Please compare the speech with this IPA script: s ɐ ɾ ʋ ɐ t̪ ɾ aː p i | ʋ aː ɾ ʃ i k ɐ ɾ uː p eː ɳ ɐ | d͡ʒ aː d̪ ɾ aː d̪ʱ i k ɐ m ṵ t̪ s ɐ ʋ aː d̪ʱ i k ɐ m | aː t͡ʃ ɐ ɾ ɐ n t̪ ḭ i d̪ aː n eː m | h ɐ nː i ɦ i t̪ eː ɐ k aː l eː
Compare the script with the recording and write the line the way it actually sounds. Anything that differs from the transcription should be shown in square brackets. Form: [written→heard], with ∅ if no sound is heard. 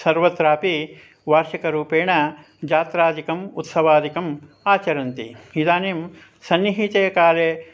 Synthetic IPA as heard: s ɐ ɾ ʋ ɐ t̪ ɾ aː p i | ʋ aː ɾ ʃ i k ɐ ɾ uː p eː ɳ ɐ | d͡ʒ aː [d̪→t̪] ɾ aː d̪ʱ i k ɐ m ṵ t̪ s ɐ ʋ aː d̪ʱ i k ɐ m | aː t͡ʃ ɐ ɾ ɐ n t̪ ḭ i d̪ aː n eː m | [h→s] ɐ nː i ɦ i t̪ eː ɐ k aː l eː